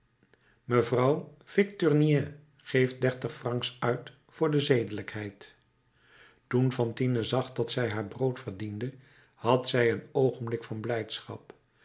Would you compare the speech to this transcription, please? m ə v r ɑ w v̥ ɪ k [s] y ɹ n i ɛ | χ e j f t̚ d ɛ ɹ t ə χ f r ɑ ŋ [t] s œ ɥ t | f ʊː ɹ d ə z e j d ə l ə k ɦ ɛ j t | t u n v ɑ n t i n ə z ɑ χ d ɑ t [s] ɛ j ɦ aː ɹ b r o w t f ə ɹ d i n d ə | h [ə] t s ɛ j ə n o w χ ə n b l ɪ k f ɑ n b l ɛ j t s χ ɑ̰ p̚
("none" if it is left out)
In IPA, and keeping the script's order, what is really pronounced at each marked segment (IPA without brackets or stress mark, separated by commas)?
t, k, s, ɑ